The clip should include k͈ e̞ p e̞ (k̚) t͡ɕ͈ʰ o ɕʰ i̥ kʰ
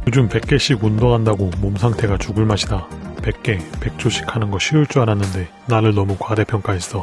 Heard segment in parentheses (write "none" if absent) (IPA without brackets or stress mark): k̚